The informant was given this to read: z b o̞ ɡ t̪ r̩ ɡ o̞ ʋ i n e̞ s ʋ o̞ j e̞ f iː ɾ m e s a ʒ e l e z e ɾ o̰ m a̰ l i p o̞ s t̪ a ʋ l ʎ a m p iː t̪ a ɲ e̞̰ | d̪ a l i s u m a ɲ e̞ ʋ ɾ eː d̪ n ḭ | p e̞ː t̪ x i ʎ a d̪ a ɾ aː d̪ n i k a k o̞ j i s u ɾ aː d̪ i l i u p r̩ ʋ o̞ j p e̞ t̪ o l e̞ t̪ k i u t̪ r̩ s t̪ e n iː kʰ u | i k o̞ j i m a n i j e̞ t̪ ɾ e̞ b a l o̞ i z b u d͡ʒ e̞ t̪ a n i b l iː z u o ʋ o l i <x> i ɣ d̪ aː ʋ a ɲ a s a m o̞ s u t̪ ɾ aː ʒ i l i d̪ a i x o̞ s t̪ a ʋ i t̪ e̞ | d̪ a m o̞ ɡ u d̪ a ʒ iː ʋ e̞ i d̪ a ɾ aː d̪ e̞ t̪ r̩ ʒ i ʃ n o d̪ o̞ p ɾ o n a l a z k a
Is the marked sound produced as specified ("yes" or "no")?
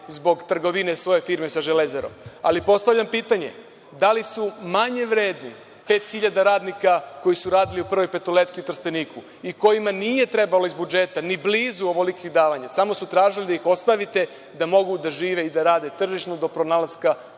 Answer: no